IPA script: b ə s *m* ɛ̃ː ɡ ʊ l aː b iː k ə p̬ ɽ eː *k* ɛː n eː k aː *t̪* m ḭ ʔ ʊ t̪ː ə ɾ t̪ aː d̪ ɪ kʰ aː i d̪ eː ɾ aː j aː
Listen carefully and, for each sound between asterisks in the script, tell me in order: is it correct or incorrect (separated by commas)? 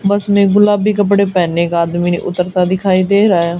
correct, incorrect, incorrect